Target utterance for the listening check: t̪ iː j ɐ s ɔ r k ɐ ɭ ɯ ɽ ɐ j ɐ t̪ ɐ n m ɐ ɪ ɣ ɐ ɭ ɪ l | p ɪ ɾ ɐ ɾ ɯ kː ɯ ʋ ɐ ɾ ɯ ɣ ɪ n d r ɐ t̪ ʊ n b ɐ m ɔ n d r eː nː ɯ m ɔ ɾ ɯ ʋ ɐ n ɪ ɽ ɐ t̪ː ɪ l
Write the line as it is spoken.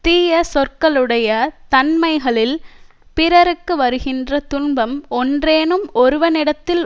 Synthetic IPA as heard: t̪ iː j ɐ s ɔ r k ɐ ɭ ɯ ɽ ɐ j ɐ t̪ ɐ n m ɐ ɪ ɣ ɐ ɭ ɪ l | p ɪ ɾ ɐ ɾ ɯ kː ɯ ʋ ɐ ɾ ɯ ɣ ɪ n d r ɐ t̪ ʊ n b ɐ m ɔ n d r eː n ɯ m ɔ ɾ ɯ ʋ ɐ n ɪ ɽ ɐ t̪ː ɪ l